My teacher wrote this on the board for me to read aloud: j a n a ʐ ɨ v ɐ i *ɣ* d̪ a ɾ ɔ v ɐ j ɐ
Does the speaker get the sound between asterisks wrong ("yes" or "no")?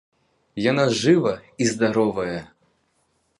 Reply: yes